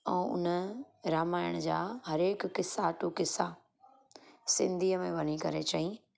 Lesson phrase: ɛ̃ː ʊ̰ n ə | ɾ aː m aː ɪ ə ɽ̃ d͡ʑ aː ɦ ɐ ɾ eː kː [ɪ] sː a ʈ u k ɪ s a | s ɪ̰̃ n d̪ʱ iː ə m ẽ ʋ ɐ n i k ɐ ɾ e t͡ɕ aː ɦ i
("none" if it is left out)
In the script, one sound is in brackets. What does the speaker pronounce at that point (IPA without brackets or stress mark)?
ɪ